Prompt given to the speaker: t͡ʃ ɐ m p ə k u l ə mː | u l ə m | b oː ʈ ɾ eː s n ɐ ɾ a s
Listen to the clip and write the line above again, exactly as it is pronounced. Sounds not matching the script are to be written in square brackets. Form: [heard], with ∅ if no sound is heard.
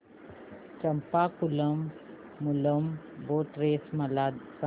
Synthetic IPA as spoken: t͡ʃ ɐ m p [a] k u l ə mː | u l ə m | b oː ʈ ɾ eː s [m] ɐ [l] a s